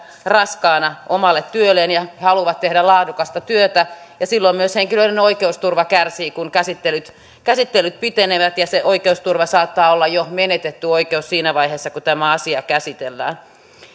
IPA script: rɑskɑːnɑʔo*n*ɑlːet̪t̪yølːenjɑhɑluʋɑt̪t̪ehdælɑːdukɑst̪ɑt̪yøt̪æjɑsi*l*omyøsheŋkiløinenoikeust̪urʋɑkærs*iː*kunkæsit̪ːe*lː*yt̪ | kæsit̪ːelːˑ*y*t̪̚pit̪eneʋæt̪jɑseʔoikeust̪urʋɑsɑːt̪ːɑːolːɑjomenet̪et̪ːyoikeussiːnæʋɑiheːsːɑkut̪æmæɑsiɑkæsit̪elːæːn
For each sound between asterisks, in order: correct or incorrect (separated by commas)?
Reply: incorrect, incorrect, correct, incorrect, correct